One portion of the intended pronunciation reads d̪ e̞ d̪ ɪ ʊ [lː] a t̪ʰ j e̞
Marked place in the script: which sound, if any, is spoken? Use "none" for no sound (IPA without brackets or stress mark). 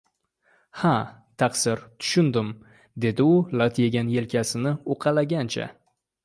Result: l